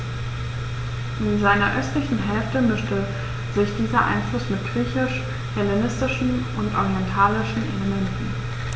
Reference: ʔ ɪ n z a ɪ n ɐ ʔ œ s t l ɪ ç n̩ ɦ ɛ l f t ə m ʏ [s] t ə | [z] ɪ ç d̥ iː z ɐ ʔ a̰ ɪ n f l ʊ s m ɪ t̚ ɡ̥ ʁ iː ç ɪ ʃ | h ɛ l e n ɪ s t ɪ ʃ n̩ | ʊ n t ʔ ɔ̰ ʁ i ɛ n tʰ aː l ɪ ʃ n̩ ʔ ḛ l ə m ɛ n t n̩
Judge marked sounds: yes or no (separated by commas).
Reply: no, yes